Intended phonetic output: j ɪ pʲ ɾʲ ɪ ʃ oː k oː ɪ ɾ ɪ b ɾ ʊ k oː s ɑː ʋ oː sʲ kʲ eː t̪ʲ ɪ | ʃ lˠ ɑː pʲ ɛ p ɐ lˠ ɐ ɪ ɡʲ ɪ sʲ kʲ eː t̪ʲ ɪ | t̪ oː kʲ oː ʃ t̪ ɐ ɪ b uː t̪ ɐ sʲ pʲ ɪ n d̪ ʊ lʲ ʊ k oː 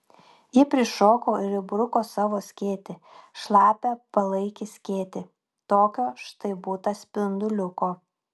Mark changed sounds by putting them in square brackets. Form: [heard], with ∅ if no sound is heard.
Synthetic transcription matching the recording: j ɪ pʲ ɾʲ ɪ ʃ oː k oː ɪ ɾ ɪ b ɾ ʊ k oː s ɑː ʋ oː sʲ kʲ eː t̪ʲ ɪ | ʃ lˠ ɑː pʲ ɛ p ɐ lˠ ɐ ɪ [kʲ] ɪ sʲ kʲ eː t̪ʲ ɪ | t̪ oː kʲ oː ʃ t̪ ɐ ɪ b uː t̪ ɐ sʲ pʲ ɪ n d̪ ʊ lʲ ʊ k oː